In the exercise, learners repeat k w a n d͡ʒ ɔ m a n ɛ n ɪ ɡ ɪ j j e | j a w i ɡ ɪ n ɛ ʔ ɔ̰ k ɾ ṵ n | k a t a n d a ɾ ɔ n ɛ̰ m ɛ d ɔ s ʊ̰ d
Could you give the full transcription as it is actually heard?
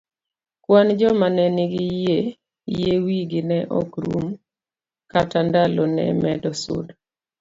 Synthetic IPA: k w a n d͡ʒ ɔ m a n ɛ n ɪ ɡ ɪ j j e | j e w i ɡ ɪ n ɛ ʔ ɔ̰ k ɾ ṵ m | k a t a n d a l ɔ n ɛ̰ m ɛ d ɔ s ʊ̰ d